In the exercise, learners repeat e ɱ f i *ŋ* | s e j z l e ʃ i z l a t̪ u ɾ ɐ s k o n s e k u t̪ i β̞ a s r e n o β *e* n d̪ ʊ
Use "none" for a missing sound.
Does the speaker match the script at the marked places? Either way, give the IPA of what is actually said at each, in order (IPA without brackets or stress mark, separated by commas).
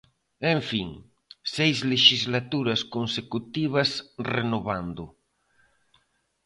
ŋ, a